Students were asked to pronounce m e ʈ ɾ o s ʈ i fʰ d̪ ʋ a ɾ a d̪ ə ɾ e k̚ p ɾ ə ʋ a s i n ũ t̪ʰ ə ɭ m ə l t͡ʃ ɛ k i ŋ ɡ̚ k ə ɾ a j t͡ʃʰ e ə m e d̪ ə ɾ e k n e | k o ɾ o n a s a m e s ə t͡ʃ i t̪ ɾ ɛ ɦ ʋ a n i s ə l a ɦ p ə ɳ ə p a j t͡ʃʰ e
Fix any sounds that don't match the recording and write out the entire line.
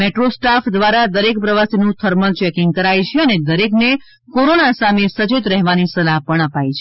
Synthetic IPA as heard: m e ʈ ɾ o s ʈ a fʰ d̪ ʋ a ɾ a d̪ ə ɾ e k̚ p ɾ ə ʋ a s i n ũ t̪ʰ ə ɾ m ə l t͡ʃ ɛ k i ŋ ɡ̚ k ə ɾ a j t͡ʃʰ e ə n e d̪ ə ɾ e k n e | k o ɾ o n a s a m e s ə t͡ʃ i t̪ ɾ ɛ ɦ ʋ a n i s ə l a ɦ p ə ɳ ə p a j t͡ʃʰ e